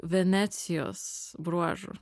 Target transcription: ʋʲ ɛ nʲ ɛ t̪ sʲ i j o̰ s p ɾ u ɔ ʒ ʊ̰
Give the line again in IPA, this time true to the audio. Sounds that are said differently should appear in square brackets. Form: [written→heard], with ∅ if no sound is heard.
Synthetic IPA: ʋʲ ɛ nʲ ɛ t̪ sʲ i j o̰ s [p→b] ɾ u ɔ ʒ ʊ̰

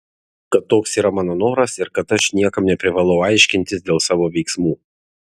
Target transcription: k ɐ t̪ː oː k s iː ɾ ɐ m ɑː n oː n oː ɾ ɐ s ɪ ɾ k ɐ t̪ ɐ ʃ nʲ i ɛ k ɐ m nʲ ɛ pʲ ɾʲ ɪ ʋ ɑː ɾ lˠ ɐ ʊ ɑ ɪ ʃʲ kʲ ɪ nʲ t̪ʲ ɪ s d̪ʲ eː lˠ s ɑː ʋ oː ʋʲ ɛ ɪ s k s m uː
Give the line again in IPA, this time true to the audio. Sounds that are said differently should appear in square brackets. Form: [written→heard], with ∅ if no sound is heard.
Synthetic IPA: k ɐ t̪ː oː k s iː ɾ ɐ m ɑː n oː n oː ɾ ɐ s ɪ ɾ k ɐ t̪ ɐ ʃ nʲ i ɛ k ɐ m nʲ ɛ pʲ ɾʲ ɪ ʋ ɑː [ɾ→∅] lˠ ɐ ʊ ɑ ɪ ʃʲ kʲ ɪ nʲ t̪ʲ ɪ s d̪ʲ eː lˠ s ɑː ʋ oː ʋʲ ɛ ɪ [s→∅] k s m uː

